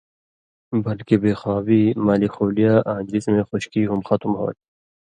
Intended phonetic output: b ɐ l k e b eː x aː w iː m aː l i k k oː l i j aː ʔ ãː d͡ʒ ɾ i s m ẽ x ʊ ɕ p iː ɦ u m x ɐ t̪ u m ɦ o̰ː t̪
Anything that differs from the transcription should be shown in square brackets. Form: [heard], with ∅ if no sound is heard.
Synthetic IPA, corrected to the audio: b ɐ l k e b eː x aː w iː m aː l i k [x] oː l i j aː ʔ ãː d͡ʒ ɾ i s m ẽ x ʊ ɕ [k] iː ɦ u m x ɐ t̪ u m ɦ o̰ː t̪